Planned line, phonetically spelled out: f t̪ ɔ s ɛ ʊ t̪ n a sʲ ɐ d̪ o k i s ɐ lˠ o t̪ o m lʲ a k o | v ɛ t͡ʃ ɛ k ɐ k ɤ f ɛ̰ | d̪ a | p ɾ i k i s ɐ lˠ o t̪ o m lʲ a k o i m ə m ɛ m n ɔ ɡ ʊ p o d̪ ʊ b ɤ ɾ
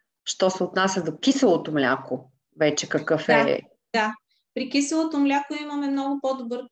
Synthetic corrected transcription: ʃ t̪ ɔ s ɛ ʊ t̪ n a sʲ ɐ d̪ o k i s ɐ lˠ o t̪ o m lʲ a k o | v ɛ t͡ʃ ɛ k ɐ k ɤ f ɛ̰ | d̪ a | p ɾ i k i s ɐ lˠ o t̪ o m lʲ a k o i m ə m ɛ m n ɔ ɡ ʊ p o d̪ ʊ b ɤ ɾ